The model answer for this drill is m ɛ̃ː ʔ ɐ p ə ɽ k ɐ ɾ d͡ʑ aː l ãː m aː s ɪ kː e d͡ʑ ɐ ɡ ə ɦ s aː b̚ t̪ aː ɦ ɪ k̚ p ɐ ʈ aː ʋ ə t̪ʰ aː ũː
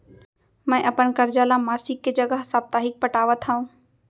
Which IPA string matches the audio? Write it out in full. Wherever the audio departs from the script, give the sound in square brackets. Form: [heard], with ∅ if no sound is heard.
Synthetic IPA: m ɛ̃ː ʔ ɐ p ə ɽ k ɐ ɾ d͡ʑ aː l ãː m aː s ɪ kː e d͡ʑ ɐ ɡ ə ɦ s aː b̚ t̪ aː ɦ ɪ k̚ p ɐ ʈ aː ʋ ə t̪ʰ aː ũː

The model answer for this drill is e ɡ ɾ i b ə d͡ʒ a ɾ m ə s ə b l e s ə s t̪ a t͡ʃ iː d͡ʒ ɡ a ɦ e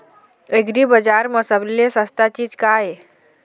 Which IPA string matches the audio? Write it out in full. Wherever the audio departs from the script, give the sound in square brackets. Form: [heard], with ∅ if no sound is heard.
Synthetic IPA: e ɡ ɾ i b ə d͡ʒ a ɾ m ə s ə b l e s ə s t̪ a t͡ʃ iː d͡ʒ [k] a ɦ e

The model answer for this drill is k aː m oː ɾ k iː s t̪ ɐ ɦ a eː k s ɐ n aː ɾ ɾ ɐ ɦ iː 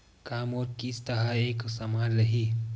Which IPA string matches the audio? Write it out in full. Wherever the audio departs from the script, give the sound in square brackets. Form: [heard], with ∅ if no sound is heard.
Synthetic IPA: k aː m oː ɾ k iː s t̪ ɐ ɦ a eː k s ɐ [m] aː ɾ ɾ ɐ ɦ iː

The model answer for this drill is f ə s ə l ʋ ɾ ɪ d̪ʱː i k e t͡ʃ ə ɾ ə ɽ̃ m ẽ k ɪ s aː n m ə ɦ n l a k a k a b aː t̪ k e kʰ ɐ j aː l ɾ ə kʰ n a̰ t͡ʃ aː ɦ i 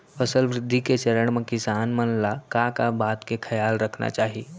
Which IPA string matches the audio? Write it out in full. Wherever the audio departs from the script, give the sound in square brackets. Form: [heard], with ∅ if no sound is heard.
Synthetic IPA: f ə s ə l ʋ ɾ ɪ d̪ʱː i k e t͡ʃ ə ɾ ə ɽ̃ m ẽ k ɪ s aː n m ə [∅] n l a k a k a b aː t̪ k e kʰ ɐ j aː l ɾ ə kʰ n a̰ t͡ʃ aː ɦ i

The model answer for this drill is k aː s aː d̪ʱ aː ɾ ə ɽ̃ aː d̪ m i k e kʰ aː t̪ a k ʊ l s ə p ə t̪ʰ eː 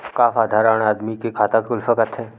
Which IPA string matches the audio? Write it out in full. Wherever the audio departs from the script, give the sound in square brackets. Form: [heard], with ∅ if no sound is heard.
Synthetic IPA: k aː [f] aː d̪ʱ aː ɾ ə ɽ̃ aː d̪ m i k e kʰ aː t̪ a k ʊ l [f] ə [k] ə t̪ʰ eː

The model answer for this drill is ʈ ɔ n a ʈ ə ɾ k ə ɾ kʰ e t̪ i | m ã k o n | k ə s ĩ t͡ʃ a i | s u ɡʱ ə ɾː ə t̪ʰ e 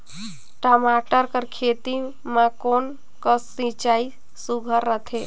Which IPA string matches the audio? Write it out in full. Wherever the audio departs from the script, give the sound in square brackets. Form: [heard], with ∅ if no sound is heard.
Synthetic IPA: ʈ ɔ [m] a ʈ ə ɾ k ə ɾ kʰ e t̪ i | m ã k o n | k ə s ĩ t͡ʃ a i | s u ɡʱ ə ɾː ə t̪ʰ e

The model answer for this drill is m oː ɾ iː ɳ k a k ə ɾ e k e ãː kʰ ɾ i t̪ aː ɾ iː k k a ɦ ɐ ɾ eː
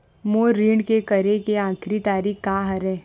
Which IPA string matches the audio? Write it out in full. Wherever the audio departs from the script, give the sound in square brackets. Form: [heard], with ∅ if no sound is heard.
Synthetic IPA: m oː ɾ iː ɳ k [e] k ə ɾ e k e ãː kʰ ɾ i t̪ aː ɾ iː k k a ɦ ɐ ɾ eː

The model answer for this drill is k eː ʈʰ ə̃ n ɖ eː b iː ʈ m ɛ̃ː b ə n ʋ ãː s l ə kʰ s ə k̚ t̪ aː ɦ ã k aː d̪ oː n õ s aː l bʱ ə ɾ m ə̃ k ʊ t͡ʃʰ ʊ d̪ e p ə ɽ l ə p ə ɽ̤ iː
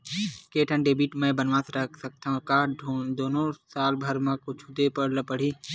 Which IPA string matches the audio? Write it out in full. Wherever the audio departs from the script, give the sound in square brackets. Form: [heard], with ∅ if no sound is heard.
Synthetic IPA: k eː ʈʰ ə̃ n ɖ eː b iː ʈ m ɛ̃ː b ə n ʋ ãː s [ɾ] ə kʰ s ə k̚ t̪ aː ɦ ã k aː d̪ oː n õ s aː l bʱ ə ɾ m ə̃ k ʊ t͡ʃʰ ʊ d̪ e p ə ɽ l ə p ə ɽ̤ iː

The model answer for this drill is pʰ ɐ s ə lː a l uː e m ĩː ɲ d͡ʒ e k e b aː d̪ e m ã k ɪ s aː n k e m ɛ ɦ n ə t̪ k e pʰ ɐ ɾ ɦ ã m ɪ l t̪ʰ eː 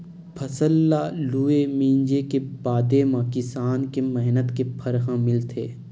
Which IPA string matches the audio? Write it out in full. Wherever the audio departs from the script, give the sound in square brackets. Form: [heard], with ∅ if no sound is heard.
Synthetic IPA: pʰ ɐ s ə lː a l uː e m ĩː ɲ d͡ʒ e k e b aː d̪ e m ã k ɪ s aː n k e m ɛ ɦ n ə t̪ k e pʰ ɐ ɾ ɦ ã m ɪ l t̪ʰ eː

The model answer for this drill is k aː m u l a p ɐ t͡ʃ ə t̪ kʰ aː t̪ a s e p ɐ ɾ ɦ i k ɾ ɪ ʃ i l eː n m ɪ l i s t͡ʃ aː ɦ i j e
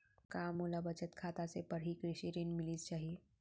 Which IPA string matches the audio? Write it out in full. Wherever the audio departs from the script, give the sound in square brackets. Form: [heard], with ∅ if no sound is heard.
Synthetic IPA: k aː m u l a [b] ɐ t͡ʃ ə t̪ kʰ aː t̪ a s e p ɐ ɾ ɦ i k ɾ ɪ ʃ i [ɾ] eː n m ɪ l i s t͡ʃ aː ɦ i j e

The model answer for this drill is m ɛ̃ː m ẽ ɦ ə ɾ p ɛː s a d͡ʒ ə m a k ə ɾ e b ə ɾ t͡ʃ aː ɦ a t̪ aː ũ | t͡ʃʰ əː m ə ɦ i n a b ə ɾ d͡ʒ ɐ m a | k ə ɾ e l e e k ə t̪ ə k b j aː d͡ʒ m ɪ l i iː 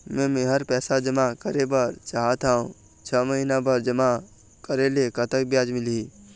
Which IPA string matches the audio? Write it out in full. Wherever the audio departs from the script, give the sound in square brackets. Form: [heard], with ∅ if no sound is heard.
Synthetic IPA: m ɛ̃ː m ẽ ɦ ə ɾ p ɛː s a d͡ʒ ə m a k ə ɾ e b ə ɾ t͡ʃ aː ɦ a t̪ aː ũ | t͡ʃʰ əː m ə ɦ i n a b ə ɾ d͡ʒ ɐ m a | k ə ɾ e l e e k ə t̪ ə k b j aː d͡ʒ m ɪ l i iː

